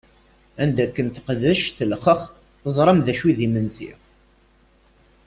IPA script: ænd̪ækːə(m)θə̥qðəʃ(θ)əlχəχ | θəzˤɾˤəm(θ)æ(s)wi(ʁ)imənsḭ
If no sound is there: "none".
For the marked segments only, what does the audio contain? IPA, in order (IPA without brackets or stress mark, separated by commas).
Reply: n, θ, ð, ʃ, ð